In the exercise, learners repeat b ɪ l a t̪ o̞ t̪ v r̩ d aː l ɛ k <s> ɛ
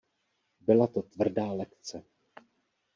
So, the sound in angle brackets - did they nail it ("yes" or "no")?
no